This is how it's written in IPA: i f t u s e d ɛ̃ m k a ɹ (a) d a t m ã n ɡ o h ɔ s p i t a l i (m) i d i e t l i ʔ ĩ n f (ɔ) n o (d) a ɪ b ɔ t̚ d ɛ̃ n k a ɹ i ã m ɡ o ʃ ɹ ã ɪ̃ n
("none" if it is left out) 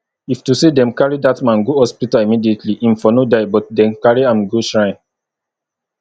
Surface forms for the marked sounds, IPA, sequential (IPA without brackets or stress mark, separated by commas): i, m, ɔ, d